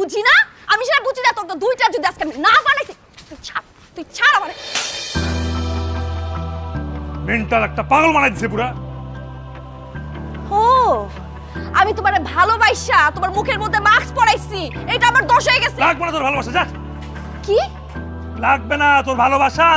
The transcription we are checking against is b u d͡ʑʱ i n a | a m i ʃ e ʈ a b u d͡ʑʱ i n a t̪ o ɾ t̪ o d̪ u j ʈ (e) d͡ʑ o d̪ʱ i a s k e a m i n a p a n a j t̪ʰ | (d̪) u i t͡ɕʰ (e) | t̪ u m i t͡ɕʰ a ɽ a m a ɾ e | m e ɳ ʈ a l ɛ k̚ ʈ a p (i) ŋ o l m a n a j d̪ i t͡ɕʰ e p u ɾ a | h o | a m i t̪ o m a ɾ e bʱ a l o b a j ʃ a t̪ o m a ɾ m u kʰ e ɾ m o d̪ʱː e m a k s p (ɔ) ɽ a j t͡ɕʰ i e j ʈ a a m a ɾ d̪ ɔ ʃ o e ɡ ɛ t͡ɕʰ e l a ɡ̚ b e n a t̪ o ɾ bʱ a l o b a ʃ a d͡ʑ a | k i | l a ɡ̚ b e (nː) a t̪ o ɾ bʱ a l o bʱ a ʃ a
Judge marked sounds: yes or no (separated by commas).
no, no, no, no, yes, no